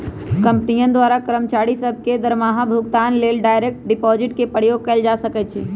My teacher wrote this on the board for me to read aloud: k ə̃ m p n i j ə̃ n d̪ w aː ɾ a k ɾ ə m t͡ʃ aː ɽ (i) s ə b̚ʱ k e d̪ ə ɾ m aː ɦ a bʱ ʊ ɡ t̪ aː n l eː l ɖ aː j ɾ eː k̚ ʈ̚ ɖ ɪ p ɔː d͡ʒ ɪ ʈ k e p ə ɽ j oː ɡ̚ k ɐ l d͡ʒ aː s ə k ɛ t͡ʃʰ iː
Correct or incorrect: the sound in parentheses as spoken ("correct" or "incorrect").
correct